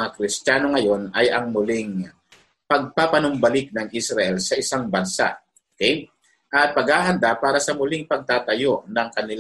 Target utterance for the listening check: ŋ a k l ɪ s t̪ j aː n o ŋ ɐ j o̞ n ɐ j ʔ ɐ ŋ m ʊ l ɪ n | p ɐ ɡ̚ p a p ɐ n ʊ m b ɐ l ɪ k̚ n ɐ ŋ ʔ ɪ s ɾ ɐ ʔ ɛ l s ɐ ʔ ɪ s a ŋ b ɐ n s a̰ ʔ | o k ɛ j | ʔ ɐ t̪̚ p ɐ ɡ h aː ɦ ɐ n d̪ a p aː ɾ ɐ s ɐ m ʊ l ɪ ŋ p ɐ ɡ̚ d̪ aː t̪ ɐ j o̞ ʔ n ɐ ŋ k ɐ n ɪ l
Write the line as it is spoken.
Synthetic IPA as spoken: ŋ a k ɾ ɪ s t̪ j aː n o ŋ ɐ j o̞ n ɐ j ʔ ɐ ŋ m ʊ l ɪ ŋ | p ɐ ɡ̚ p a p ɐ n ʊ m b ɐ l ɪ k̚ n ɐ ŋ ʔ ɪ s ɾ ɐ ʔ ɛ l s ɐ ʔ ɪ s a ŋ b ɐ n s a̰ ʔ | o k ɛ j | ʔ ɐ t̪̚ p ɐ ɡ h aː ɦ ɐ n d̪ a p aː ɾ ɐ s ɐ m ʊ l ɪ ŋ p ɐ ɡ̚ t̪ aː t̪ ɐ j o̞ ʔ n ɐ ŋ k ɐ n ɪ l